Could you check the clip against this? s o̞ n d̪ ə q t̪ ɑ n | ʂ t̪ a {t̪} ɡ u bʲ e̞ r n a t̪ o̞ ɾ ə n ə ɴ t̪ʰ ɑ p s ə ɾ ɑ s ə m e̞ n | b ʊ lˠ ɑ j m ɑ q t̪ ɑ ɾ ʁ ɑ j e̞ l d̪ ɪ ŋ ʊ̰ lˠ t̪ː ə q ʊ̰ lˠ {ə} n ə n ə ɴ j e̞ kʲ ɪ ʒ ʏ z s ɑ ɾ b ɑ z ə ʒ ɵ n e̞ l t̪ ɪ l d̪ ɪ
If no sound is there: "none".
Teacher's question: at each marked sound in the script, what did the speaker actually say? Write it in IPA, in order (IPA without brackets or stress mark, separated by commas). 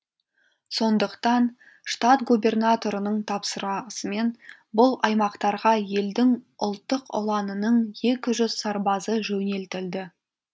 t̪, ɑ